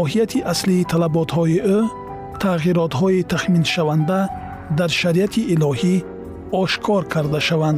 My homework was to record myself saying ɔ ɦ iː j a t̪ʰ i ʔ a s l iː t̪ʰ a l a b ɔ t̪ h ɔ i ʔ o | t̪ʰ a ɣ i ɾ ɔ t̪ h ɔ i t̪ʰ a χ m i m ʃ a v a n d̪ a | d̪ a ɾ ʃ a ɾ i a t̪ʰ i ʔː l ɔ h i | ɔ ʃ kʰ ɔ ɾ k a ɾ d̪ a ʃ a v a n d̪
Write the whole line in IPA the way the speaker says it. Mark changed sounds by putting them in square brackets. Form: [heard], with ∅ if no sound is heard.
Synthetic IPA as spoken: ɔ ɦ [i] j a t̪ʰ i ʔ a s l iː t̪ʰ a l a b ɔ t̪ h ɔ i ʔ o | t̪ʰ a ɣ i ɾ ɔ t̪ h ɔ i t̪ʰ a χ m i [n] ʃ a v a n d̪ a | d̪ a ɾ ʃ a ɾ i a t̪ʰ i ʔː l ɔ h i | ɔ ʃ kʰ ɔ ɾ [kʰ] a ɾ d̪ a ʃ a v a n d̪